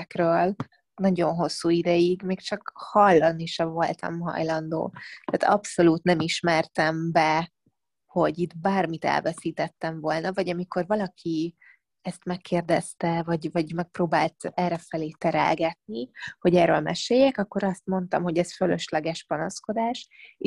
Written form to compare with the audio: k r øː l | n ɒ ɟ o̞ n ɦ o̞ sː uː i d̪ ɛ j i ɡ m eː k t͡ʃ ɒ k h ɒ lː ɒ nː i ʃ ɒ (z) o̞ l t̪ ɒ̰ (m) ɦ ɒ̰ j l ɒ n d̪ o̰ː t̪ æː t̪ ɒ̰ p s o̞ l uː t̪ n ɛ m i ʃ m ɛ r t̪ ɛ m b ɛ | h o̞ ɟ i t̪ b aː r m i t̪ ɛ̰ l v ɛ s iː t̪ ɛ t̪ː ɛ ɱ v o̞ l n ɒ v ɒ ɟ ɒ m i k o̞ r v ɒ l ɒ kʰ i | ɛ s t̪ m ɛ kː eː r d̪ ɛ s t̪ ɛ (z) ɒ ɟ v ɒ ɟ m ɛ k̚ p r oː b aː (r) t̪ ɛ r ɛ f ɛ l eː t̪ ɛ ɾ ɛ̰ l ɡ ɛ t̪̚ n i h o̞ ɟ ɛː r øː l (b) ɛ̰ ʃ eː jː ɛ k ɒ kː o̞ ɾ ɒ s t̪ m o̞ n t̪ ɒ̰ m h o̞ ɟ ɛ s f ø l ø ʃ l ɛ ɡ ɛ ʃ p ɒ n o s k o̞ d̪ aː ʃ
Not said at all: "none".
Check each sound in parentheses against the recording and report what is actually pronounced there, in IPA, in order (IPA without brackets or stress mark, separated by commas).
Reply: v, m, v, l, m